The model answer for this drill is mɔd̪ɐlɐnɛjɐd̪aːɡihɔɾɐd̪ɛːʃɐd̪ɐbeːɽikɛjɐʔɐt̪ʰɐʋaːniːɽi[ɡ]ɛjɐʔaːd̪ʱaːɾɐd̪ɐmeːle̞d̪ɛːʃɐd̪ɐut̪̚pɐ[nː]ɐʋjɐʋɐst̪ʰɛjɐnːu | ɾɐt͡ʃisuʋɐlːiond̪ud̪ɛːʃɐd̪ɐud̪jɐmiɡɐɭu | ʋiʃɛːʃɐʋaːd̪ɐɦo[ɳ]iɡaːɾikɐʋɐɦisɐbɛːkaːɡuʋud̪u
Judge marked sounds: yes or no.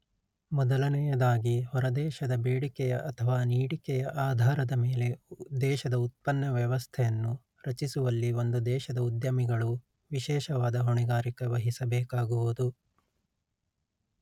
no, yes, yes

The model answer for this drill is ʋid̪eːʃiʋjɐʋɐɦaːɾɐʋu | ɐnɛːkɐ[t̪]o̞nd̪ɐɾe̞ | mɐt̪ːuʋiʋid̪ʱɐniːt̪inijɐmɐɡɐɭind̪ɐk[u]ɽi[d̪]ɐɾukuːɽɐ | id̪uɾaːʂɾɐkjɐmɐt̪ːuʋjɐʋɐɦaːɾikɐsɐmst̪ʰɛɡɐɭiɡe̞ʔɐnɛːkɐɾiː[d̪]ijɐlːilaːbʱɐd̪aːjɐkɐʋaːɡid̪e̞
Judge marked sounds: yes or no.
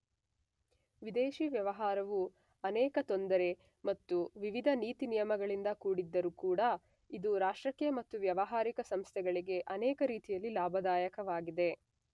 yes, no, no, no

